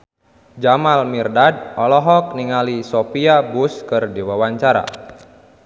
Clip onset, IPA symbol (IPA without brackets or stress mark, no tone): d͡ʒ